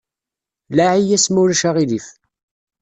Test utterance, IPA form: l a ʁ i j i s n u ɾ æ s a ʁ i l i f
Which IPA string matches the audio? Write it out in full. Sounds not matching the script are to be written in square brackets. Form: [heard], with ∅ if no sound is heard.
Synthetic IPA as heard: l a [ʕ] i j [æ] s [m] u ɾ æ [ʃ] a ʁ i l i f